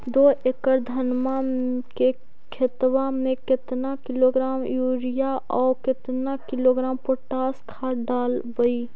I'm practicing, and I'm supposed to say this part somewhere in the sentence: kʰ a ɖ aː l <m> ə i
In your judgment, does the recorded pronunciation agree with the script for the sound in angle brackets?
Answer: no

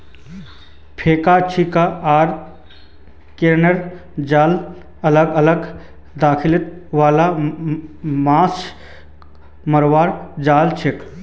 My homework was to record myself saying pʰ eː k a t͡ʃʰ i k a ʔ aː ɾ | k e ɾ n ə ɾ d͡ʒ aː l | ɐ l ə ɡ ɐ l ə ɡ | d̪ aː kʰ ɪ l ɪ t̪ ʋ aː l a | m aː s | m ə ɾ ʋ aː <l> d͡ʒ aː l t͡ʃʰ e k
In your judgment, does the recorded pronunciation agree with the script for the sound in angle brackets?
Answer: no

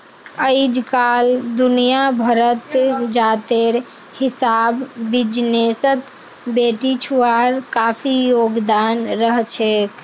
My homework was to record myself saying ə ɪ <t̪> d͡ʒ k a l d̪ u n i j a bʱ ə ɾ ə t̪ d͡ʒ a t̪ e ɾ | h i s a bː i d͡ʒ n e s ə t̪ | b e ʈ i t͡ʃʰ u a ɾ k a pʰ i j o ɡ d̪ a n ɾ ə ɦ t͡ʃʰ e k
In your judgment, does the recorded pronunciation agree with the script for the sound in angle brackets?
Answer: no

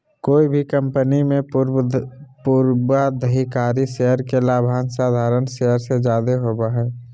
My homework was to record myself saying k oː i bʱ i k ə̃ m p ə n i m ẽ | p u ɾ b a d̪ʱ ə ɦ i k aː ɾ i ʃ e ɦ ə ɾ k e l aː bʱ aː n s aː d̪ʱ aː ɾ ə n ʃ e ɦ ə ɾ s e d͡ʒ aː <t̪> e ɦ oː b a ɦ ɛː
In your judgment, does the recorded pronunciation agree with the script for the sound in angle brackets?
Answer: no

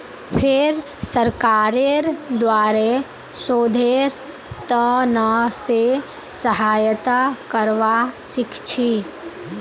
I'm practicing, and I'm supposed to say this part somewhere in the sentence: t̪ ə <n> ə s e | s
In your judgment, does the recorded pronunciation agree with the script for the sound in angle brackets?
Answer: yes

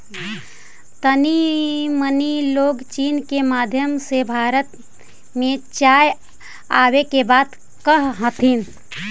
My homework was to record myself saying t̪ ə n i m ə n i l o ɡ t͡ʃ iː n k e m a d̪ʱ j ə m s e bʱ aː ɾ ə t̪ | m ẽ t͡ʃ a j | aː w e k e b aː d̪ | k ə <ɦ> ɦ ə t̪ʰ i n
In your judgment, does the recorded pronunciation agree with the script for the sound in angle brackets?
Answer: yes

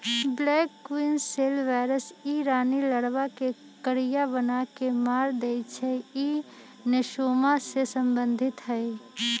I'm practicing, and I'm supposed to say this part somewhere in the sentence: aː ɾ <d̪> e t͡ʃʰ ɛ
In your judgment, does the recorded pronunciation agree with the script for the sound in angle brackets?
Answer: yes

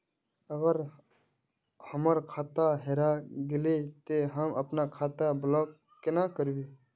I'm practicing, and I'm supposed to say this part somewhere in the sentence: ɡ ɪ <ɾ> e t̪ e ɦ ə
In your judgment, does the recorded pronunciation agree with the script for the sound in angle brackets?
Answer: no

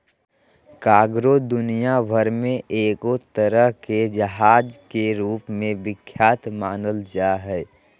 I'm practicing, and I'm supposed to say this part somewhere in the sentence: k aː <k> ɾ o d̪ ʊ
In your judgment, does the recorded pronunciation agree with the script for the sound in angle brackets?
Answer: no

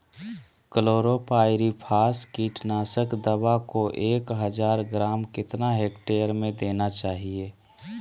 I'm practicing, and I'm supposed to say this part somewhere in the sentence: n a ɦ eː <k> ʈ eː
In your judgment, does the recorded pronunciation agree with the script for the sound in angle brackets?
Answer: yes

